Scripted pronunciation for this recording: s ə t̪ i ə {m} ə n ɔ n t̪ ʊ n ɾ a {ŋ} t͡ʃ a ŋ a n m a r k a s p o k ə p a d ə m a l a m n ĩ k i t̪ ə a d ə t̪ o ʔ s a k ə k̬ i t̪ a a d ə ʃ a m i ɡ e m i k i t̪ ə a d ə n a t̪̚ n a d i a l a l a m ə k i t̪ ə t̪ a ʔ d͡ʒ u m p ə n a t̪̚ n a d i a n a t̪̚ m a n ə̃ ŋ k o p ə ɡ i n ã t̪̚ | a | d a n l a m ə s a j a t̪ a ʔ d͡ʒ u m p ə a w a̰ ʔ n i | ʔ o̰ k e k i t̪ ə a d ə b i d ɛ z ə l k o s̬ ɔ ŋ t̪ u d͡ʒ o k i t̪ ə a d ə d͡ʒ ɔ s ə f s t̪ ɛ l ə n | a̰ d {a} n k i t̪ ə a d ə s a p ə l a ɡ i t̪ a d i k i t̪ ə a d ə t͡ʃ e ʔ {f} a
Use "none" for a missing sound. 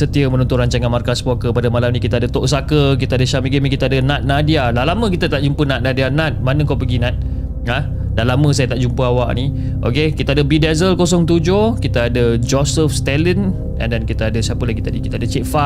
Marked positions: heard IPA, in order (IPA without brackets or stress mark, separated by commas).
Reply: m, ɲ, a, f